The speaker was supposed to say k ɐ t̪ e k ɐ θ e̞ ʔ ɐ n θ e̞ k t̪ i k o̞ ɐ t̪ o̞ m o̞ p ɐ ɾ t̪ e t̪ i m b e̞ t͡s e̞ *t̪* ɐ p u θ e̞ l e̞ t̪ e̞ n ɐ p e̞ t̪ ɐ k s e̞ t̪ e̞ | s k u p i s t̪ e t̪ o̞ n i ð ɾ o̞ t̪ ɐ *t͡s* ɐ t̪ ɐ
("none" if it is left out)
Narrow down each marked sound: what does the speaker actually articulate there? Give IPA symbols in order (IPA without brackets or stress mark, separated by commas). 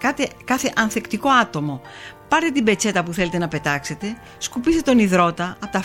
t̪, none